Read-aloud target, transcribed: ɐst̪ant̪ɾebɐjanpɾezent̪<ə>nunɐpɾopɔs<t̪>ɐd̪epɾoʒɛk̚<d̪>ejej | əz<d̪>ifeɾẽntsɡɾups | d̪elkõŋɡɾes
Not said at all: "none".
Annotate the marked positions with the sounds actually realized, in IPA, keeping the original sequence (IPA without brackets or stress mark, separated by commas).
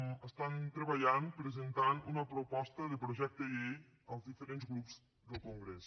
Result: a, t̪, t̪, d̪